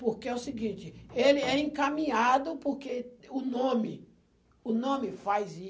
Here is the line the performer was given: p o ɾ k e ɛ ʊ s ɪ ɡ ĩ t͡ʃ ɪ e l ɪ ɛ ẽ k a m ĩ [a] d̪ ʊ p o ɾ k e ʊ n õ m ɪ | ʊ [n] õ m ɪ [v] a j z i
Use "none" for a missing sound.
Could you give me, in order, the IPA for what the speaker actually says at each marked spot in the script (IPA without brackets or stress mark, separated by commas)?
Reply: a, n, f